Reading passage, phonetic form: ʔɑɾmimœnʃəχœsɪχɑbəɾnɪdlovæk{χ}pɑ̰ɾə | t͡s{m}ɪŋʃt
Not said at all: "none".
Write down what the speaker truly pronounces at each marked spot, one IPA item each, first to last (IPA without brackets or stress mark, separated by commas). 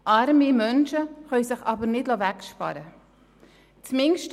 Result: ʃ, m